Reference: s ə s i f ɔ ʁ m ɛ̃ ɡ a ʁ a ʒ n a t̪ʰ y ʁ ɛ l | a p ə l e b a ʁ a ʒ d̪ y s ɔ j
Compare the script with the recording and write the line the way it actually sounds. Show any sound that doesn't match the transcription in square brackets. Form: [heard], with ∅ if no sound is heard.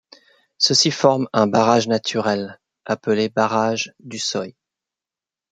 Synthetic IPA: s ə s i f ɔ ʁ m ɛ̃ [b] a ʁ a ʒ n a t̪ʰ y ʁ ɛ l | a p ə l e b a ʁ a ʒ d̪ y s ɔ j